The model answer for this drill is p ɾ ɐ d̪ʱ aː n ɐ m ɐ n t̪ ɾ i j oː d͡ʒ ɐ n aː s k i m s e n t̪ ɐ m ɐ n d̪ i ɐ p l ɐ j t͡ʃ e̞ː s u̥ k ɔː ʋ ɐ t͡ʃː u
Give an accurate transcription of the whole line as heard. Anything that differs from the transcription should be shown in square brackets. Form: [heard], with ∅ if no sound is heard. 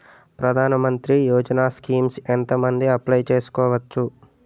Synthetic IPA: p ɾ ɐ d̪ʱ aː n ɐ m ɐ n t̪ ɾ i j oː d͡ʒ ɐ n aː s k [iː] m s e n t̪ ɐ m ɐ n d̪ i ɐ p l ɐ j t͡ʃ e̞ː s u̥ k ɔː ʋ ɐ t͡ʃː u